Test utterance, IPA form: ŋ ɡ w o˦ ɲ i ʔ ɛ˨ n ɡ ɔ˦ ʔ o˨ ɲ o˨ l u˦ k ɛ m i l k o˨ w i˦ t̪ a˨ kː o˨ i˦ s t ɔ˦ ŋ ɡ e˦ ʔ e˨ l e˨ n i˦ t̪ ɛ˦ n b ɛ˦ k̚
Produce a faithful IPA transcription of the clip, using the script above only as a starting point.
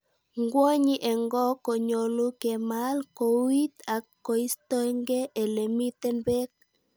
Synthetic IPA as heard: ŋ ɡ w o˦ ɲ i ʔ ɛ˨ ŋ ɡ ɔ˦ k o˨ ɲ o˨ l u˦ k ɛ m a l k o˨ w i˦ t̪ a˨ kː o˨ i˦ s t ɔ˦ ŋ ɡ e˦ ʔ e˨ l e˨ m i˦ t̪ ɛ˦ n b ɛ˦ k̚